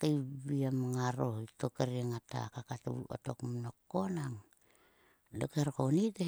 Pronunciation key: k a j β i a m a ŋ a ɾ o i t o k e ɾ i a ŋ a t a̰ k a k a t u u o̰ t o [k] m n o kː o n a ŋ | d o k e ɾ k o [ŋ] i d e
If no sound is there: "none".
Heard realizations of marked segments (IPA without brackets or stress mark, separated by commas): k, n